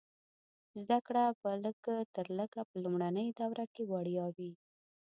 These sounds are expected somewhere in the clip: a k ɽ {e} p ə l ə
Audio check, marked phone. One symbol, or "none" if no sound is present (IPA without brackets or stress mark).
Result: a